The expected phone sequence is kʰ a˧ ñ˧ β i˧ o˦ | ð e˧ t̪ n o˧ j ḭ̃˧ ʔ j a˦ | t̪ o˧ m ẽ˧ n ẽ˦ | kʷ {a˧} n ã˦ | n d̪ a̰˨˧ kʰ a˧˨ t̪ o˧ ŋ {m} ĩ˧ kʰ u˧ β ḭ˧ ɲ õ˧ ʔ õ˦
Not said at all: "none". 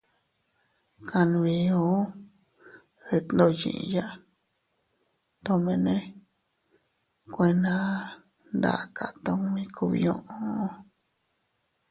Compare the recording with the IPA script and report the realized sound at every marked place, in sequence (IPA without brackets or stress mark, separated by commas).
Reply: e˧, m